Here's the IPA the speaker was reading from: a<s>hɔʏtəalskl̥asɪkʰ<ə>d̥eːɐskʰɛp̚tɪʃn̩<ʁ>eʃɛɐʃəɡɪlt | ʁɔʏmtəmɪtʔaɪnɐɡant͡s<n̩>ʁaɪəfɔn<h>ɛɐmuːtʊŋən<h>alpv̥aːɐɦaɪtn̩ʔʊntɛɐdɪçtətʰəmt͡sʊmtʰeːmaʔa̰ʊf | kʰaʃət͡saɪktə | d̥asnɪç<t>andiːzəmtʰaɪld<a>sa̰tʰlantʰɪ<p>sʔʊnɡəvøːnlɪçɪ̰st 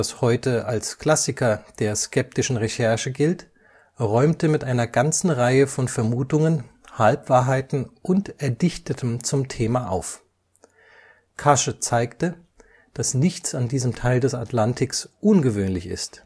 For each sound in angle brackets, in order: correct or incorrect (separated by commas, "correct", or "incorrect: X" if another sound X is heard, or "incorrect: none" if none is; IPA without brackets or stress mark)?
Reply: correct, incorrect: ɐ, correct, correct, incorrect: f, correct, incorrect: t͡s, incorrect: ɛ, incorrect: k